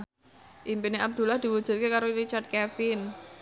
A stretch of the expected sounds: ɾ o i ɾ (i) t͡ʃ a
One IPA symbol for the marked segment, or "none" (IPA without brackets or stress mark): i